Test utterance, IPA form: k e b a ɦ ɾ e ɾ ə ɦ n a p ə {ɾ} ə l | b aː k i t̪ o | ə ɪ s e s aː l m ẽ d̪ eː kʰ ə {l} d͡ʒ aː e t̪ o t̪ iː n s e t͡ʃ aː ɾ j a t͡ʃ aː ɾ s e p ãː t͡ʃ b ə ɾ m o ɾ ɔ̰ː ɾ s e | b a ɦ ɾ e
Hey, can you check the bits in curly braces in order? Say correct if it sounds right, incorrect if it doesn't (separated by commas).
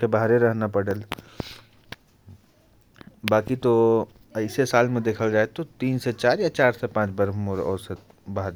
incorrect, correct